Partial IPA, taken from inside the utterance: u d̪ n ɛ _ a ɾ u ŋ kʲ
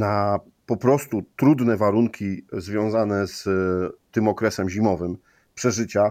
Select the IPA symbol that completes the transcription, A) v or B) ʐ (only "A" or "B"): A